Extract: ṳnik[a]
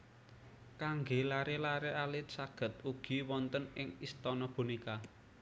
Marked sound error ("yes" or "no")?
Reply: no